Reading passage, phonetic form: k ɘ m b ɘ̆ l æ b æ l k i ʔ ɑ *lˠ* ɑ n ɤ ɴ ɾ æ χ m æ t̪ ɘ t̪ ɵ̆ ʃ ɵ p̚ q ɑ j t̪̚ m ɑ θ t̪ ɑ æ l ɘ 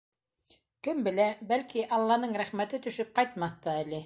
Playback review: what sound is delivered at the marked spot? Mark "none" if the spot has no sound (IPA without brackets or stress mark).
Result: lˠː